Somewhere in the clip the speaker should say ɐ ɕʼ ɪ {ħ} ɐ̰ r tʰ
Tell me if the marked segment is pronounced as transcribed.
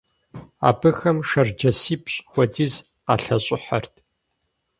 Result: yes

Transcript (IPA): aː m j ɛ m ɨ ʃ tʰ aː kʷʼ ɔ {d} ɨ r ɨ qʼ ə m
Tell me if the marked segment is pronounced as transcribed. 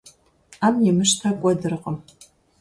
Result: yes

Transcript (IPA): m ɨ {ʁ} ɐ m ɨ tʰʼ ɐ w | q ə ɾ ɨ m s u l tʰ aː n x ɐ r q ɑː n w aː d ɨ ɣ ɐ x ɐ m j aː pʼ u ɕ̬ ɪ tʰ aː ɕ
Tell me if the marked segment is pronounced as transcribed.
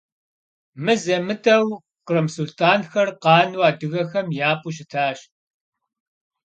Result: no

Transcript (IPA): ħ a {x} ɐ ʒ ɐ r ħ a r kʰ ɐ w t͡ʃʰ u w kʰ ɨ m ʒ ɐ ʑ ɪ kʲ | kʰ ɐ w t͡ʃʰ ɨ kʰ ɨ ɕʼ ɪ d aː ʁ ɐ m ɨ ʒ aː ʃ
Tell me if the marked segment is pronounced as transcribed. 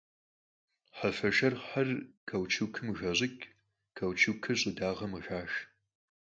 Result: no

